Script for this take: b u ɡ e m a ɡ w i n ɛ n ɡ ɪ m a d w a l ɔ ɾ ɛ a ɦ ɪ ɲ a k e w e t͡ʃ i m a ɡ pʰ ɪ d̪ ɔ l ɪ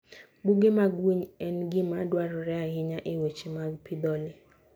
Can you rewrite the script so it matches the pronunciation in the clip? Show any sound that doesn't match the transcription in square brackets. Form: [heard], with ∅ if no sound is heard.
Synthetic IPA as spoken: b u ɡ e m a ɡ w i [ɲ] ɛ n ɡ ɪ m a d w a [ɾ] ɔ ɾ ɛ a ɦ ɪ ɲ a [ʔ] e w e t͡ʃ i m a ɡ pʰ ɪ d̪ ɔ l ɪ